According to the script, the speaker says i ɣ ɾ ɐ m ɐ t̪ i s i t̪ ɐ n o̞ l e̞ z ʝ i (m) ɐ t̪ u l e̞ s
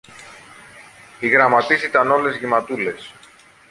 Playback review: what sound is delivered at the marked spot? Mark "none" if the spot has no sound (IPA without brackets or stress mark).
m